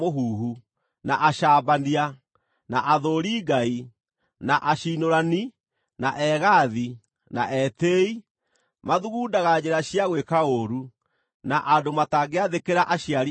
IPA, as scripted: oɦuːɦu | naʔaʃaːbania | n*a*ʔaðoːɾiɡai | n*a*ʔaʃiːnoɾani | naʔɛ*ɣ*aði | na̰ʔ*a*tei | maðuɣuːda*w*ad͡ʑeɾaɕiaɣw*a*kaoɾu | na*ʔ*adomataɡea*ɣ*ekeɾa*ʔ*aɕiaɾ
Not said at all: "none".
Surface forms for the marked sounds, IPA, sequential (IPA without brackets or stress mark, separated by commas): a, a, ɣ, ɛ, ɣ, e, ʔ, ð, ʔ